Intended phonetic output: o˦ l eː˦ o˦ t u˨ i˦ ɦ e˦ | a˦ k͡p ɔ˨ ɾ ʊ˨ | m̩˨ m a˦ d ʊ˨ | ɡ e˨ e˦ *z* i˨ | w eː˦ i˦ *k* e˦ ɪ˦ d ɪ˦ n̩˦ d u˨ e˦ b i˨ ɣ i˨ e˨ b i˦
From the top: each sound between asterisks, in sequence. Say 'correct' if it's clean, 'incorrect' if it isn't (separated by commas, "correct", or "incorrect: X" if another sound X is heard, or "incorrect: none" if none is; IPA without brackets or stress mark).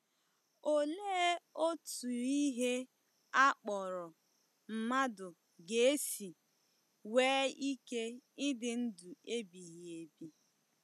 incorrect: s, correct